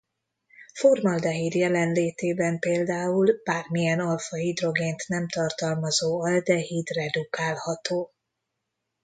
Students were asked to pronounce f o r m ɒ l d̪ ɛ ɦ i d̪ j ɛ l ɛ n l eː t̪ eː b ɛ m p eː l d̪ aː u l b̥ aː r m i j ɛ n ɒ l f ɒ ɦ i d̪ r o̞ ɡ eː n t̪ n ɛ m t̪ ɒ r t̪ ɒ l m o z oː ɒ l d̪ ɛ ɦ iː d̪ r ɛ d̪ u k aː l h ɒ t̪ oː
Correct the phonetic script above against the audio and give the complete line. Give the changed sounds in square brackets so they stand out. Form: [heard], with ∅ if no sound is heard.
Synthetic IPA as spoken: f o r m ɒ l d̪ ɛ ɦ i d̪ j ɛ l ɛ n l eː t̪ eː b ɛ m p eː l d̪ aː u l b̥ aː r m i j ɛ n ɒ l f ɒ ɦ i d̪ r o̞ ɡ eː n t̪ n ɛ m t̪ ɒ r t̪ ɒ l m [ɒ] z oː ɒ l d̪ ɛ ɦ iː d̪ r ɛ d̪ u k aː l h ɒ t̪ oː